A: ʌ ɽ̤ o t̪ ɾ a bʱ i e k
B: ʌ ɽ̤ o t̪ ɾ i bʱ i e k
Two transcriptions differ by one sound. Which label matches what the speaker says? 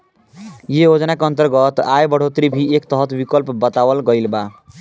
B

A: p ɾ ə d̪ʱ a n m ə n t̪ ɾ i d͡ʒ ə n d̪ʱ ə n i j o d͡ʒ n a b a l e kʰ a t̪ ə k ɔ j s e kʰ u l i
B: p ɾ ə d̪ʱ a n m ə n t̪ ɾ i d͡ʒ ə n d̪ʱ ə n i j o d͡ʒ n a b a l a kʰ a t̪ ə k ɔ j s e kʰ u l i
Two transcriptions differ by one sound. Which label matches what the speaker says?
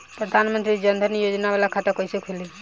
B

